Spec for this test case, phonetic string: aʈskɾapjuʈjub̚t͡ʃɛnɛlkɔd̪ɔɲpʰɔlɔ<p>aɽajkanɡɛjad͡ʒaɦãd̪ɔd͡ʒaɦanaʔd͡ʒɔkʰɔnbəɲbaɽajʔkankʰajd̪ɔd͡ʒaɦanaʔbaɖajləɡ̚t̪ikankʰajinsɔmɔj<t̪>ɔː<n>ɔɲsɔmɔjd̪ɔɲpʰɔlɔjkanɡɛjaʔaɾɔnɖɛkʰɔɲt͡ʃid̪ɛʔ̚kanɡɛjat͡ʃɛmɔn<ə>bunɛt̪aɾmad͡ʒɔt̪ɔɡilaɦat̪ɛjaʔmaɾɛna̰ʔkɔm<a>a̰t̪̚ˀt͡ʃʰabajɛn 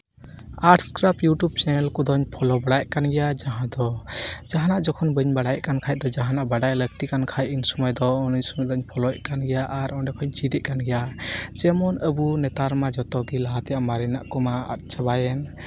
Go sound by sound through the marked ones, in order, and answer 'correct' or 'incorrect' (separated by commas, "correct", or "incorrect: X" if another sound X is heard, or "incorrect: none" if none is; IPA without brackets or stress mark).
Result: incorrect: b, incorrect: d̪, correct, correct, correct